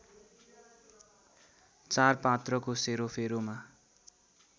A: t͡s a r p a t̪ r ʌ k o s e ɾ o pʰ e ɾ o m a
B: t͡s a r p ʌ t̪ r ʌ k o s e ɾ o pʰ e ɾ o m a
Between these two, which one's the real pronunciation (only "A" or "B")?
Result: A